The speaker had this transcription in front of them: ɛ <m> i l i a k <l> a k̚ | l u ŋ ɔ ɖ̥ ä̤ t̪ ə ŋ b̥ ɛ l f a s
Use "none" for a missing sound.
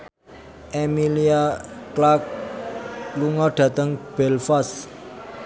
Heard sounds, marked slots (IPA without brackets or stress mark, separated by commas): m, l